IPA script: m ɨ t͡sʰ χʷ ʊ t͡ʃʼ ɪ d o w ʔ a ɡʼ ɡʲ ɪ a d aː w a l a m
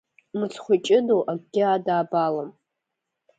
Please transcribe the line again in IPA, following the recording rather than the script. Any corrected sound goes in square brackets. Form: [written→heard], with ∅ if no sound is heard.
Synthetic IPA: m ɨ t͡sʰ χʷ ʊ t͡ʃʼ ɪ d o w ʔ a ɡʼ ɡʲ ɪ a d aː [w→b] a l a m